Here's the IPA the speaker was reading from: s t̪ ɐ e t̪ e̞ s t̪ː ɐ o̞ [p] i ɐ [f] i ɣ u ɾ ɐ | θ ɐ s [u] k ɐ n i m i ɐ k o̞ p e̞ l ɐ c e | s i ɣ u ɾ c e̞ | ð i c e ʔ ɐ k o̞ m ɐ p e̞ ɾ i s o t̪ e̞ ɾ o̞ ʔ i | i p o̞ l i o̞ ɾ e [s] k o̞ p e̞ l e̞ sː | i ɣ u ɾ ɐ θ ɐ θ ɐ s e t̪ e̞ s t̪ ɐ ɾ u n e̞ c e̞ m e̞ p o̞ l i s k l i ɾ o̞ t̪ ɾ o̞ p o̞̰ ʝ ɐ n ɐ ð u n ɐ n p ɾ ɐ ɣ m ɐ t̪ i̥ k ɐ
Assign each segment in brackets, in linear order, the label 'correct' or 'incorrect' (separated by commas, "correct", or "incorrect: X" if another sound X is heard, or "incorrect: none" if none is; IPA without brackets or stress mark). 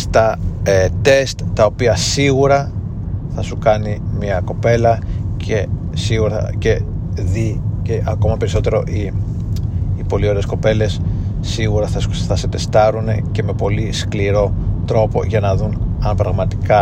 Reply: correct, incorrect: s, correct, correct